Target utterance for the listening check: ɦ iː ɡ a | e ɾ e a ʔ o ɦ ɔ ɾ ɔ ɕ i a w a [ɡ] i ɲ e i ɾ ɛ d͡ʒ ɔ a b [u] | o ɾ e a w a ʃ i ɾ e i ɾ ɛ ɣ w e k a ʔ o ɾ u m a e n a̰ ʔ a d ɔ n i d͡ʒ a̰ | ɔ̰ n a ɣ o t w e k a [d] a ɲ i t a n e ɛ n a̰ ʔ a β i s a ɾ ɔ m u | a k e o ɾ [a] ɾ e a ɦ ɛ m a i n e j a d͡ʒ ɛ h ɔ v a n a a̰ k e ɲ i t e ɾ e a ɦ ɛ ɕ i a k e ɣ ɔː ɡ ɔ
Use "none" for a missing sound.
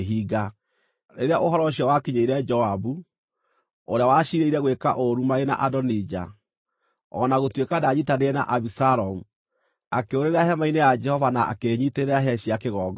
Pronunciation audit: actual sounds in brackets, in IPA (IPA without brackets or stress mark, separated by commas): k, u, d, e